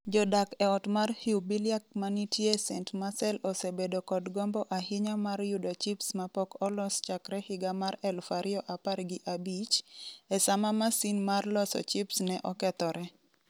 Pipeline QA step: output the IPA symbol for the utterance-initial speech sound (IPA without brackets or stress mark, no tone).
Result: d͡ʒ